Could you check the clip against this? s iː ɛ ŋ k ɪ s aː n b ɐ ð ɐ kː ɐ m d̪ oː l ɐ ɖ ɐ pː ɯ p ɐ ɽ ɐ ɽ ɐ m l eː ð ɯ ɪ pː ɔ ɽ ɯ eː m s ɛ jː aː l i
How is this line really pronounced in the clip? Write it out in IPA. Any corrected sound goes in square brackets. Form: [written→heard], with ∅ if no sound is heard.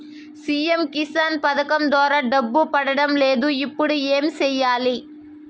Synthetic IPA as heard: s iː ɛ [ŋ→m] k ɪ s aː n [b→p] ɐ ð ɐ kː ɐ m d̪ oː [l→ɾ] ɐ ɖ ɐ [pː→bː] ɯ p ɐ ɽ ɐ ɽ ɐ m l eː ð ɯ ɪ pː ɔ ɽ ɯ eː m s ɛ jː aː l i